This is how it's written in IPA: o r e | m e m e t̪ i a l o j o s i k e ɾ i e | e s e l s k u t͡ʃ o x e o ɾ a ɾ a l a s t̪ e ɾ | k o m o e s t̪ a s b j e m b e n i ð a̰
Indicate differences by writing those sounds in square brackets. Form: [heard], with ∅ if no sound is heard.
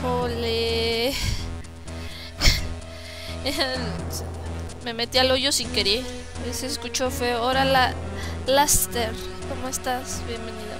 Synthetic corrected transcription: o [l] e | m e m e t̪ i a l o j o s i k e ɾ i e | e s e [∅] s k u t͡ʃ o [f] e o ɾ a [l] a l a s t̪ e ɾ | k o m o e s t̪ a s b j e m b e n i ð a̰